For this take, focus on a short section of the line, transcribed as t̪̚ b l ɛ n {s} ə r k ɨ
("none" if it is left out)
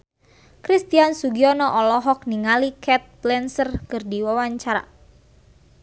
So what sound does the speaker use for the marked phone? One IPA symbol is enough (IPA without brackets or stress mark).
s